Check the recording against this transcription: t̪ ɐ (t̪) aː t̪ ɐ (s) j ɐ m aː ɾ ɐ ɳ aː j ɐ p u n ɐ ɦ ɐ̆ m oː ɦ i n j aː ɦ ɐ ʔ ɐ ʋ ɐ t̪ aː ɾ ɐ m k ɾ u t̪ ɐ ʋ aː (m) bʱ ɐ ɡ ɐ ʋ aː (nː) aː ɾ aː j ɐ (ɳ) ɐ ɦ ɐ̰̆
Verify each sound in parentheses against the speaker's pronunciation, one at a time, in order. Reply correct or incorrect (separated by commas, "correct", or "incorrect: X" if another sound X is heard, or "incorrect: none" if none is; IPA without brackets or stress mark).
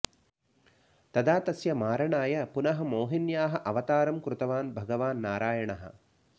incorrect: d̪, correct, incorrect: n, correct, correct